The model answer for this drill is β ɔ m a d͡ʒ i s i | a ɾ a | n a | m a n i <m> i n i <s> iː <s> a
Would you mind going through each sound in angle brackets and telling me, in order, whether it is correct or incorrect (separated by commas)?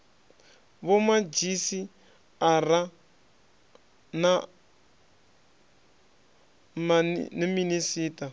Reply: correct, correct, incorrect